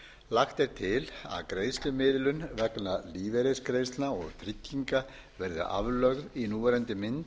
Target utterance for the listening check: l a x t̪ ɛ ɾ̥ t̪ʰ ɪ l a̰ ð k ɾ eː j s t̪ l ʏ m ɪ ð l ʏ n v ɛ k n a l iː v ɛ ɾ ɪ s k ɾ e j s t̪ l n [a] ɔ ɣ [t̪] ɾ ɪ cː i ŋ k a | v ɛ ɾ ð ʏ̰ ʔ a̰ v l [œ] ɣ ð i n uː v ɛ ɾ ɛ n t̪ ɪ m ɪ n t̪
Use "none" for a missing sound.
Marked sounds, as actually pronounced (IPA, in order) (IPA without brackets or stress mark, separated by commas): a, t̪ʰ, œ